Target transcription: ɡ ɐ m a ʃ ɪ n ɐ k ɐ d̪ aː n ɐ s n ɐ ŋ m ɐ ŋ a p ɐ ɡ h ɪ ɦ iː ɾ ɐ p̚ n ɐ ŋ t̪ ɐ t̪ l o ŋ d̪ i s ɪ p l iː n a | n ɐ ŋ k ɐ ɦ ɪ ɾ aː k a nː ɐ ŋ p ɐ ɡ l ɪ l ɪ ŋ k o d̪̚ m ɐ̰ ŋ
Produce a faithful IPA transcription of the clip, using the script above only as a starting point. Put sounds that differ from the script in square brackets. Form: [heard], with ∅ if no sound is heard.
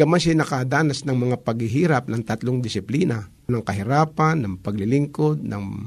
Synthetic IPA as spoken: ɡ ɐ m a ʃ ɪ n ɐ k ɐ d̪ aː n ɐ s n ɐ ŋ m ɐ ŋ a p ɐ ɡ h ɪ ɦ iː ɾ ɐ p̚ n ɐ ŋ t̪ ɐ t̪ l o ŋ d̪ [ɪ] s ɪ p l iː n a | n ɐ ŋ k ɐ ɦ ɪ ɾ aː [p] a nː ɐ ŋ p ɐ ɡ l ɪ l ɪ ŋ k o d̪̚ [n] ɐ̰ ŋ